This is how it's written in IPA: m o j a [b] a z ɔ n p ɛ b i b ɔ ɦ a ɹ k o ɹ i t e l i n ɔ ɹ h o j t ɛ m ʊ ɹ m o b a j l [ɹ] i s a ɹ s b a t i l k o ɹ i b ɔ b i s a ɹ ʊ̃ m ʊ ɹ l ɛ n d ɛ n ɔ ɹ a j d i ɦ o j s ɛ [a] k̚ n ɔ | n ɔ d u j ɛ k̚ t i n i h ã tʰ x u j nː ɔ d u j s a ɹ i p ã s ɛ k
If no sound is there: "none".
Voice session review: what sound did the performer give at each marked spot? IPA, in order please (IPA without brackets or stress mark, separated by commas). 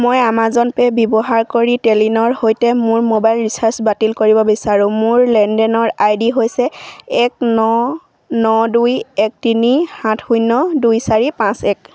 m, ɹ, ɛ